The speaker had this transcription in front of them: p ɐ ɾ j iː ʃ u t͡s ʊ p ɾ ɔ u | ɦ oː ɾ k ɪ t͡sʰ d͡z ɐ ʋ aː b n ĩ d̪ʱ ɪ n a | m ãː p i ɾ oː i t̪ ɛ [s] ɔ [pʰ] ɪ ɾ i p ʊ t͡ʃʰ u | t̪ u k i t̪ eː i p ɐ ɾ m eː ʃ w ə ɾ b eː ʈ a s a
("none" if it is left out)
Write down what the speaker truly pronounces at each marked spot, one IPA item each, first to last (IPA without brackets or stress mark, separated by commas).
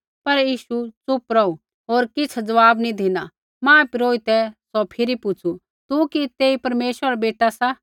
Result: s, pʰ